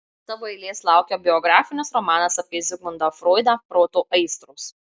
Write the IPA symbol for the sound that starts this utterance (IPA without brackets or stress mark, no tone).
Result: t̪